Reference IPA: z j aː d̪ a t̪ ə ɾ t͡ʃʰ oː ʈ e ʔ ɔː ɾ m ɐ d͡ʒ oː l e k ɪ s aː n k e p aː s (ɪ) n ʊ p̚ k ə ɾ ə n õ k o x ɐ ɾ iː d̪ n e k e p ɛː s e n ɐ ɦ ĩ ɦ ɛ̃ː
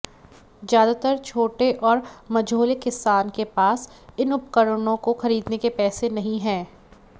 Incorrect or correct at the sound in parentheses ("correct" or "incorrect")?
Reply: correct